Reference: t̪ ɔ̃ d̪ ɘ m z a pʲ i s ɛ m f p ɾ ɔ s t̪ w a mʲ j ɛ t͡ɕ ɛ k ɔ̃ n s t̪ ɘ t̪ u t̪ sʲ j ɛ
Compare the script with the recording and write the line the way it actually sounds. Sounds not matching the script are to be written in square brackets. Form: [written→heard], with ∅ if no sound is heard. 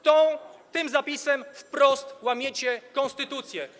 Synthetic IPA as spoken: t̪ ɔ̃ [d̪→t̪] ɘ m z a pʲ i s ɛ m f p ɾ ɔ s t̪ w a mʲ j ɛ t͡ɕ ɛ k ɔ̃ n s t̪ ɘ t̪ u t̪ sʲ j ɛ

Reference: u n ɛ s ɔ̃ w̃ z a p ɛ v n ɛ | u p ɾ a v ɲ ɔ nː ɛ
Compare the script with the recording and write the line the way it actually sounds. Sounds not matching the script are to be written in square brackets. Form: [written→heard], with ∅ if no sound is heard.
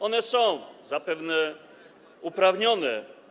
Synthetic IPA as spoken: [u→ɔ] n ɛ s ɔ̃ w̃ z a p ɛ v n ɛ | u p ɾ a v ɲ ɔ [nː→n] ɛ

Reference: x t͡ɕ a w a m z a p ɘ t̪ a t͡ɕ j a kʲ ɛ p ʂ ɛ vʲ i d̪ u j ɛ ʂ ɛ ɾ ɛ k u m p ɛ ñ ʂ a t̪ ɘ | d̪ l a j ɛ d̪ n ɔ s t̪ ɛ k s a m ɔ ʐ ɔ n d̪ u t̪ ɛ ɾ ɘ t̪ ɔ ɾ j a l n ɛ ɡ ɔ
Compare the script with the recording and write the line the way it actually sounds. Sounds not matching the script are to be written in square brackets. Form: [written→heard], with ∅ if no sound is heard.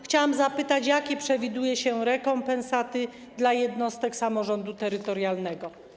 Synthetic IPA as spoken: x t͡ɕ a w a m z a p ɘ t̪ a t͡ɕ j a kʲ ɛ p ʂ ɛ vʲ i d̪ u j ɛ [ʂ→ɕ] ɛ ɾ ɛ k [u→ɔ] m p ɛ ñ [ʂ→s] a t̪ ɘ | d̪ l a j ɛ d̪ n ɔ s t̪ ɛ k s a m ɔ ʐ ɔ n d̪ u t̪ ɛ ɾ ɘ t̪ ɔ ɾ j a l n ɛ ɡ ɔ

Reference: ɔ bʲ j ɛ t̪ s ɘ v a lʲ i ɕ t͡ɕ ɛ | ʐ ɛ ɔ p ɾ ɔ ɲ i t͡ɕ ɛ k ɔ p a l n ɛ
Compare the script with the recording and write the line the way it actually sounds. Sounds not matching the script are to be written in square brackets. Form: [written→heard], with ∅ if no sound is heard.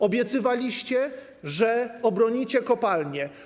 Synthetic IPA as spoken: ɔ bʲ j ɛ t̪ s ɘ v a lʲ i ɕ t͡ɕ ɛ | ʐ ɛ ɔ [p→b] ɾ ɔ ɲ i t͡ɕ ɛ k ɔ p a l [n→ɲ] ɛ

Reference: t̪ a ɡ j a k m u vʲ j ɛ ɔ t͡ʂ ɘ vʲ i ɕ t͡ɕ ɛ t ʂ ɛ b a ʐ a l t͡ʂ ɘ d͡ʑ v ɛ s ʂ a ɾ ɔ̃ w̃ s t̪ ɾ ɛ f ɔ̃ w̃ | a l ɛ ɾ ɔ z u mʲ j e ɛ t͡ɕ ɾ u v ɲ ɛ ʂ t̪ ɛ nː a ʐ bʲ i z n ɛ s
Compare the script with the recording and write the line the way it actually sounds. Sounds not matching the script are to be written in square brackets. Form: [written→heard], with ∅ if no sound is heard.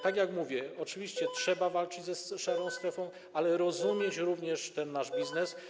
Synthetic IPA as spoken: t̪ a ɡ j a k m u vʲ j ɛ ɔ t͡ʂ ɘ vʲ i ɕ t͡ɕ ɛ t ʂ ɛ b a [ʐ→v] a l t͡ʂ ɘ d͡ʑ [v→z] ɛ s ʂ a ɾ ɔ̃ w̃ s t̪ ɾ ɛ f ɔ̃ w̃ | a l ɛ ɾ ɔ z u mʲ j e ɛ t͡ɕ ɾ u v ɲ ɛ ʂ t̪ ɛ nː a ʐ bʲ i z n ɛ s

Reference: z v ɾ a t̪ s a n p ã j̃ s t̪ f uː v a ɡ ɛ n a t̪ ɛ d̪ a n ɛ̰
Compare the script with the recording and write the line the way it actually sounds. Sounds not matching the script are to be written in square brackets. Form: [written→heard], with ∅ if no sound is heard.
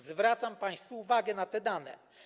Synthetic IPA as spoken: z v ɾ a t̪ s a [n→m] p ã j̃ s t̪ f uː v a ɡ ɛ n a t̪ ɛ d̪ a n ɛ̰

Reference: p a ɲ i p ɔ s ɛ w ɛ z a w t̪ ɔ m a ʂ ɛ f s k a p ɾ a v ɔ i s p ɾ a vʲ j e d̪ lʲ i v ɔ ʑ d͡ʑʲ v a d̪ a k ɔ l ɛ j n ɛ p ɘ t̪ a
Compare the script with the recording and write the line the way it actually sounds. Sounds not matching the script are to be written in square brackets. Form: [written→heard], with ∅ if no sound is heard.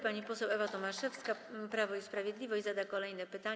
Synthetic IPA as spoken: p a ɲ i p ɔ s ɛ w ɛ [z→v] a [w→∅] t̪ ɔ m a ʂ ɛ f s k a p ɾ a v ɔ i s p ɾ a vʲ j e d̪ lʲ i v ɔ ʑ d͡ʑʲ [v→z] a d̪ a k ɔ l ɛ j n ɛ p ɘ t̪ a

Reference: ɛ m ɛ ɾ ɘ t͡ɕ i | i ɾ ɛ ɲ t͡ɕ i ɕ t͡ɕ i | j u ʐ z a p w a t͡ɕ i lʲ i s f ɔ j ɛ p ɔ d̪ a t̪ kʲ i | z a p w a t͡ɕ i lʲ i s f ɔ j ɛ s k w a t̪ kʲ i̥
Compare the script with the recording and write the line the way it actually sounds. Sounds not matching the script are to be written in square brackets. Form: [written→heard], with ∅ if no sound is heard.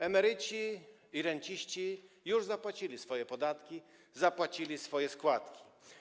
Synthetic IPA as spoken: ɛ m ɛ ɾ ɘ t͡ɕ i | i ɾ ɛ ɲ t͡ɕ i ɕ t͡ɕ i | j u ʐ z a p w a t͡ɕ i lʲ i s f ɔ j ɛ p ɔ d̪ a t̪ kʲ i | z a p w a t͡ɕ i lʲ i s f ɔ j ɛ s k w a t̪ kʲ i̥

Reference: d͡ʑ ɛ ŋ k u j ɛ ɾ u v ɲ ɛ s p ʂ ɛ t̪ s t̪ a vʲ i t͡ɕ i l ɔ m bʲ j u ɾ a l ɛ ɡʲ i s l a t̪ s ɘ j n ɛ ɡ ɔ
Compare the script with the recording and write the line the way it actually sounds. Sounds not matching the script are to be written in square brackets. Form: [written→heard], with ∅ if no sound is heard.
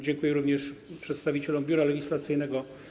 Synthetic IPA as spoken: d͡ʑ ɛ ŋ k u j ɛ ɾ u v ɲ ɛ [s→ʂ] p ʂ ɛ t̪ s t̪ a vʲ i t͡ɕ [i→ɛ] l ɔ m bʲ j u ɾ a l ɛ ɡʲ i s l a t̪ s ɘ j n ɛ ɡ ɔ

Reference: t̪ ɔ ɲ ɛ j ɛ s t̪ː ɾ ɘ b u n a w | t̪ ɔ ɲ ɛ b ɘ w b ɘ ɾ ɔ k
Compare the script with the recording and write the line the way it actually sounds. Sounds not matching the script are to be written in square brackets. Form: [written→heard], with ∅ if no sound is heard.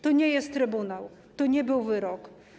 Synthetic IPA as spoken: t̪ ɔ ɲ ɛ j ɛ s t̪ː ɾ ɘ b u n a w | t̪ ɔ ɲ ɛ b ɘ w [b→v] ɘ ɾ ɔ k

